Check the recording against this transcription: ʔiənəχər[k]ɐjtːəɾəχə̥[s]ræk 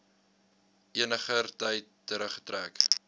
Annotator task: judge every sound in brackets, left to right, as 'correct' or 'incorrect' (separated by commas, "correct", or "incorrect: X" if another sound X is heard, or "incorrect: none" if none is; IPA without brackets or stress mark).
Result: incorrect: t, incorrect: t